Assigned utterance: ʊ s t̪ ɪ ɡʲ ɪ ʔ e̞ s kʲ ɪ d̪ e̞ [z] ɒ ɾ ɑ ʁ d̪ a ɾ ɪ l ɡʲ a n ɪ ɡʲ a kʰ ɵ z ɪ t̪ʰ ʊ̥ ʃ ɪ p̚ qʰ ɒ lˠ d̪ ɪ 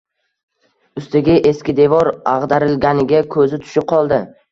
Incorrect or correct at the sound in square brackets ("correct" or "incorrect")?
incorrect